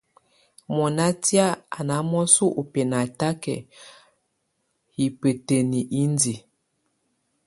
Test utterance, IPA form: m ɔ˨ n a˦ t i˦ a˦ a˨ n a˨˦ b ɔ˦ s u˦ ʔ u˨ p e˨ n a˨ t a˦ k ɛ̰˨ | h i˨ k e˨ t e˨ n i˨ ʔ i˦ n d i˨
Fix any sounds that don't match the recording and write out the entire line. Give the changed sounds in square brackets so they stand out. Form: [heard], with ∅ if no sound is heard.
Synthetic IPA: m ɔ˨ n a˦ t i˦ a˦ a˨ n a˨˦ [m] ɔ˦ s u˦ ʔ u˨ p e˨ n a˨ t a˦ k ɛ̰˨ | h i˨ [p] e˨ t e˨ n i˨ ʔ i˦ n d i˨